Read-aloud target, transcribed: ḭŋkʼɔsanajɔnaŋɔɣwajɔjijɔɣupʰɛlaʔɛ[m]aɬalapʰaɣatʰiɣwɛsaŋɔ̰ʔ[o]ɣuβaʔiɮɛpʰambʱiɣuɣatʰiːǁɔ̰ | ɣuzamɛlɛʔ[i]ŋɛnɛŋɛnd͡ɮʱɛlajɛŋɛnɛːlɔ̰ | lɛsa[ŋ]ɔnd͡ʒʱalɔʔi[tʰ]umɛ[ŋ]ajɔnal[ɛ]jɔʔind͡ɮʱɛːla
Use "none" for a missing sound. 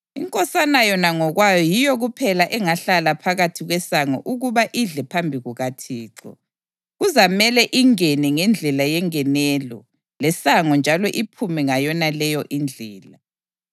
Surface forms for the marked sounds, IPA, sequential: ŋ, u, i, ŋ, pʰ, ŋ, ɛ

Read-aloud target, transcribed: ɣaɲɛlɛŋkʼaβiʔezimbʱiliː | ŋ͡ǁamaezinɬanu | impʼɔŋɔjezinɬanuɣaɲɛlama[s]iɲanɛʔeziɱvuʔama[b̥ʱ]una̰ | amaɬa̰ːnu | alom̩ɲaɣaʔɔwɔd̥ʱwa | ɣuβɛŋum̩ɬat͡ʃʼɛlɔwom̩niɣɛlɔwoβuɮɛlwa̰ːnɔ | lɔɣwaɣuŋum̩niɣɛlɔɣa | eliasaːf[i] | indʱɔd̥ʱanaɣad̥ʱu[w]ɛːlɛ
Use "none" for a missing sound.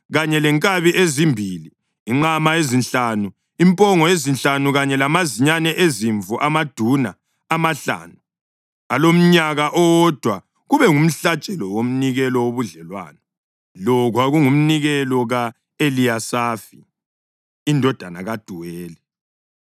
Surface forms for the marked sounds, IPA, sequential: z, d̥ʱ, i, w

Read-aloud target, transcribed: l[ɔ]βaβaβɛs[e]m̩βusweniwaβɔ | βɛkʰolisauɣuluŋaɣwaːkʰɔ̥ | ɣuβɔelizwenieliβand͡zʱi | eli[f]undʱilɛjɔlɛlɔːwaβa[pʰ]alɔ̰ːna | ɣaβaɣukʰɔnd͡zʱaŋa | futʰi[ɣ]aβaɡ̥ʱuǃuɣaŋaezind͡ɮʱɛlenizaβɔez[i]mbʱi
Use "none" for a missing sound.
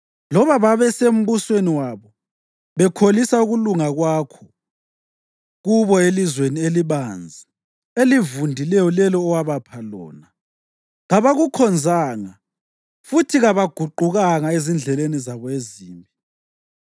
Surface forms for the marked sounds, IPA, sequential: ɔ, e, v, pʰ, ɣ, iː

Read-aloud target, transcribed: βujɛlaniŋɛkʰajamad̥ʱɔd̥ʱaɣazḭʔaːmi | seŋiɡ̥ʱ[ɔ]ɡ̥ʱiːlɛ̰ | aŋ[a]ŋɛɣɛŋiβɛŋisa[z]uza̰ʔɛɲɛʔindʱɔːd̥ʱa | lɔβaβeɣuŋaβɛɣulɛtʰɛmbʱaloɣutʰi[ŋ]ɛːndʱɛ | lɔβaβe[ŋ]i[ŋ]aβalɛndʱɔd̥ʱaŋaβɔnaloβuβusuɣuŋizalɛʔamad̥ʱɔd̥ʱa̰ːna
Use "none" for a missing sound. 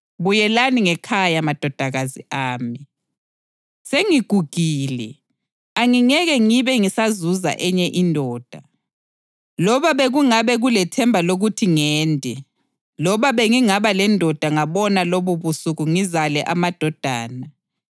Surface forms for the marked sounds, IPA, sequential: u, i, z, ŋ, ŋ, ŋ

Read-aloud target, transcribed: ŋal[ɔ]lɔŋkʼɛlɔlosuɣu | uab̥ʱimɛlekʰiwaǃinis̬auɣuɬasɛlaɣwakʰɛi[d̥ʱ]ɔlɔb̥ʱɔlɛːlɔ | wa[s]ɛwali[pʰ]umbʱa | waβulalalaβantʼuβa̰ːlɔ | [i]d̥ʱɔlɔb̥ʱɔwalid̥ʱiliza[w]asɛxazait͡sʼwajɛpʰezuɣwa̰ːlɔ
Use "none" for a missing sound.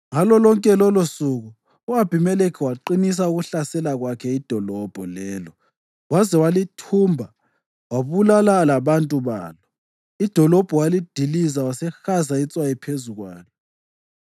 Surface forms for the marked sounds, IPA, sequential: ɔ, d̥ʱ, z, tʰ, i, w

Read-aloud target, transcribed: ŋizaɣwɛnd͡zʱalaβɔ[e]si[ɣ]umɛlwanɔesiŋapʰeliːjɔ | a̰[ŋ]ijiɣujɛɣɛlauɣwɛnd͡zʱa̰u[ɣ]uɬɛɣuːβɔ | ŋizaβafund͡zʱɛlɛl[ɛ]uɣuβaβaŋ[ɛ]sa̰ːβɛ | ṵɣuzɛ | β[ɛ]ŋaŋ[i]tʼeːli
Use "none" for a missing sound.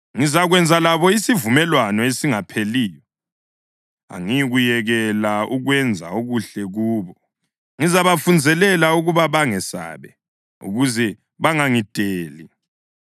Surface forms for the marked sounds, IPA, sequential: i, v, ŋ, ɣ, a, ɛ, a, i

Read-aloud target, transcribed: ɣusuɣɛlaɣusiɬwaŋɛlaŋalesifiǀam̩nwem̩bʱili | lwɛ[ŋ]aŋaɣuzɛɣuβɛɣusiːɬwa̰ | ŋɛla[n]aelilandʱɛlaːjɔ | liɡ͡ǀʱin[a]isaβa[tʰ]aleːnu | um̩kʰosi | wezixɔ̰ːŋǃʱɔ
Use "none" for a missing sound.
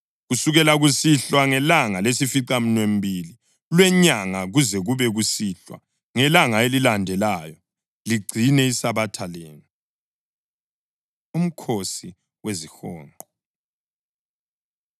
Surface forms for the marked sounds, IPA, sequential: ɲ, ŋ, ɛ, tʰ

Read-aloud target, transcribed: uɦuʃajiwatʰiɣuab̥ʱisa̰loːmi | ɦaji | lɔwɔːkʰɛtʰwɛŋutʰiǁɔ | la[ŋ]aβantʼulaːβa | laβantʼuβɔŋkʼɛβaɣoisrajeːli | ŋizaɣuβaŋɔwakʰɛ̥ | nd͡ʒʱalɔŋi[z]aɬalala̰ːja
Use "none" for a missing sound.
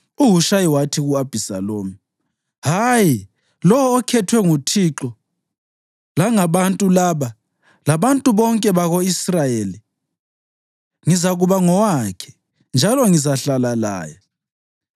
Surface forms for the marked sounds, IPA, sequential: ŋ, z

